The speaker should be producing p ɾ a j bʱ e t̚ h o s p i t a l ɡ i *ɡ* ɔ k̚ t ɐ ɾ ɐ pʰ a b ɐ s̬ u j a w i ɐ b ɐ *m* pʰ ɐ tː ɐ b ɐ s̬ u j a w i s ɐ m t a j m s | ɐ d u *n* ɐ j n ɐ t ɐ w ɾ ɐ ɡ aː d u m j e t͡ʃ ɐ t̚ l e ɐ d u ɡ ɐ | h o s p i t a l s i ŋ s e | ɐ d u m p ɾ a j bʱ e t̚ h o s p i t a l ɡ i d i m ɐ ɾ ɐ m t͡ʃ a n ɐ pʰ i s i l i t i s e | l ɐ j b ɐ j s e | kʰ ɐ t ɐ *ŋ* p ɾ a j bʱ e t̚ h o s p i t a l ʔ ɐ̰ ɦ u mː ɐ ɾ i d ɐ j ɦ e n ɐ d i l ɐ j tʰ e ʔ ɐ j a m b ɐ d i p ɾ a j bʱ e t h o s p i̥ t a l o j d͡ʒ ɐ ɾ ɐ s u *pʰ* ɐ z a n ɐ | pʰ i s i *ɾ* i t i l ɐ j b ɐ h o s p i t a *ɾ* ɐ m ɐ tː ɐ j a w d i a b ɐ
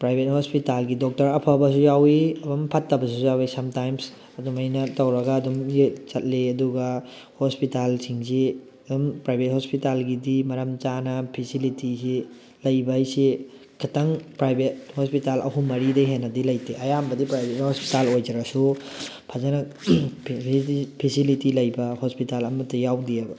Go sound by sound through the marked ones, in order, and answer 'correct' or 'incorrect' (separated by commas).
incorrect, correct, incorrect, correct, correct, incorrect, incorrect